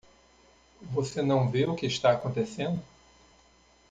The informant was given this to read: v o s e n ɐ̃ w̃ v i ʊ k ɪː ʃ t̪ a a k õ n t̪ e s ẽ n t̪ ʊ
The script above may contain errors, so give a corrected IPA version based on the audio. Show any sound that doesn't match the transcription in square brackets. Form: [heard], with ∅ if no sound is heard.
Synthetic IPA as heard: v o s e n ɐ̃ w̃ v [e] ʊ k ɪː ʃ t̪ a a k õ n t̪ e s ẽ n [d̪] ʊ